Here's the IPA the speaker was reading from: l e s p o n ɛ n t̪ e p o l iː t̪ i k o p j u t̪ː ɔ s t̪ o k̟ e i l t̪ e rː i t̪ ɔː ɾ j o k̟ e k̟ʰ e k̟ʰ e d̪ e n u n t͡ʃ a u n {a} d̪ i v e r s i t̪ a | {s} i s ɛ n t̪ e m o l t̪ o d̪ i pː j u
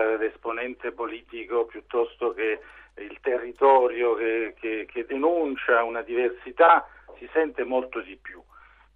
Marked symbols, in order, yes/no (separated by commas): yes, yes